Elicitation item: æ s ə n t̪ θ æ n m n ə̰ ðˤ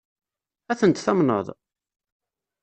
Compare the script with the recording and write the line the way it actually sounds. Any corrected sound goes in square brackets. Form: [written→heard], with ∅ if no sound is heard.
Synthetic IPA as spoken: æ [s→θ] ə n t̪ θ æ [n→∅] m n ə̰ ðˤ